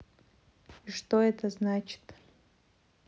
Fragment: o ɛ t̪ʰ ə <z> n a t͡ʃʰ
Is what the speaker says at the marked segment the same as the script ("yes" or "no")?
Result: yes